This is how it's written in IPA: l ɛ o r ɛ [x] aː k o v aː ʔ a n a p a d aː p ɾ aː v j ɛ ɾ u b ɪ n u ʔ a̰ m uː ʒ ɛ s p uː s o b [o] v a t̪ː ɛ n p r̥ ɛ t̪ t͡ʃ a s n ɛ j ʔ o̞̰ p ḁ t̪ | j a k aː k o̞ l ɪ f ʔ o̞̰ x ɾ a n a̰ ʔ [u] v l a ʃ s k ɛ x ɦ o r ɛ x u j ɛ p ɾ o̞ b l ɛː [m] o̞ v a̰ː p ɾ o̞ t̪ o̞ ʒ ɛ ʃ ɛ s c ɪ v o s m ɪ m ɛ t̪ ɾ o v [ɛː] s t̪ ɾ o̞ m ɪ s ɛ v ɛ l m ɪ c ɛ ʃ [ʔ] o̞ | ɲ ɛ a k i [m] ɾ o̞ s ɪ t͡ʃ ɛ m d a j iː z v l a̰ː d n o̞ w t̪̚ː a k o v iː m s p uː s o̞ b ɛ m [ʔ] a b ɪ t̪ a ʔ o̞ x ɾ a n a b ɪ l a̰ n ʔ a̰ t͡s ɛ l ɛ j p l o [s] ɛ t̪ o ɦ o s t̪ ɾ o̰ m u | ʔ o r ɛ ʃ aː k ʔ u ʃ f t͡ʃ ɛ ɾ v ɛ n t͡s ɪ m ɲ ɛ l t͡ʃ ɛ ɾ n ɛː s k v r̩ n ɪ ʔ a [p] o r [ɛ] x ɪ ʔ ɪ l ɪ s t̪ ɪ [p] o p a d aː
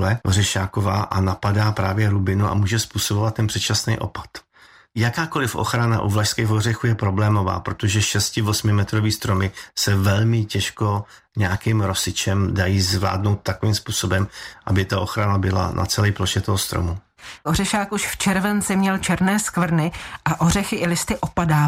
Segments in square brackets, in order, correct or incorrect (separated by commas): incorrect, correct, correct, correct, incorrect, incorrect, correct, correct, incorrect, incorrect, correct, incorrect